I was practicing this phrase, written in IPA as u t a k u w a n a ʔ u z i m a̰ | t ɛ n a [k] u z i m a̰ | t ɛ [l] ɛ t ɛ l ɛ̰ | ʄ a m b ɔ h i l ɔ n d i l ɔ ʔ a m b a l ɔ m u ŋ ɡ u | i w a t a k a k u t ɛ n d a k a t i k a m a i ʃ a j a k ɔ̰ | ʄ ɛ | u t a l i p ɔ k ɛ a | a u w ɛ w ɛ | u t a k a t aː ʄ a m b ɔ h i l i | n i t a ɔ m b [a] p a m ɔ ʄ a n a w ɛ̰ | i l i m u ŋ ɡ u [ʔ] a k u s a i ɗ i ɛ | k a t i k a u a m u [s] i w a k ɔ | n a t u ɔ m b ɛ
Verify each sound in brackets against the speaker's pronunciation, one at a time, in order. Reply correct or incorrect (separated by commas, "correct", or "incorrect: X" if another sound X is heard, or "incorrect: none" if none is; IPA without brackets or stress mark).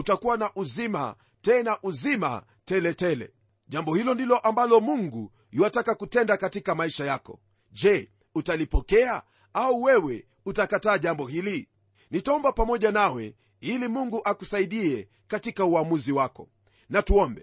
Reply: incorrect: ʔ, correct, correct, correct, incorrect: z